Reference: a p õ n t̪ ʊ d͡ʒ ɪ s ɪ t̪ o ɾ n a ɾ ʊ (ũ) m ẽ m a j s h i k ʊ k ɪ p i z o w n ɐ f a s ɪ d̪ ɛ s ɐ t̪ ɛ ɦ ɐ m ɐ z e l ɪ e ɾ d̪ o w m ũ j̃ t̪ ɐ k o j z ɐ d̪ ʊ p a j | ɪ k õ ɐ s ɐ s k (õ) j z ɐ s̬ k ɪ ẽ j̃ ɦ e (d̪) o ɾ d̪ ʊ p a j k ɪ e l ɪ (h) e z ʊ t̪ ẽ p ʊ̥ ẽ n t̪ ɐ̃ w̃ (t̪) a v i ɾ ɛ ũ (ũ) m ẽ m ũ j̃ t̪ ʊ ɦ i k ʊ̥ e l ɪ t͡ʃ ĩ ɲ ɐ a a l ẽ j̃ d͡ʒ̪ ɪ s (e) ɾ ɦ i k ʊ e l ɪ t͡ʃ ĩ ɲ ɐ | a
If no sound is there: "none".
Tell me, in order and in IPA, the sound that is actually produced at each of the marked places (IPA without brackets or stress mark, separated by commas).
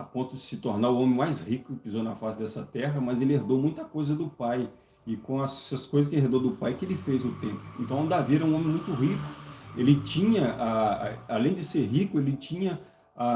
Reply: õ, o, d̪, f, d̪, õ, e